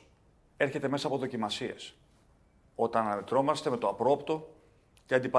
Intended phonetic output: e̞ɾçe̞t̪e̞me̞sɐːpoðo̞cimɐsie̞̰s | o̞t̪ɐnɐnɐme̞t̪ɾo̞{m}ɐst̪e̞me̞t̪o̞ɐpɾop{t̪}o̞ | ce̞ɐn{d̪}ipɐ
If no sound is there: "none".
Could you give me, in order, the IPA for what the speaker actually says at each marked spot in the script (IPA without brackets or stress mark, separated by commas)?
m, t̪, d̪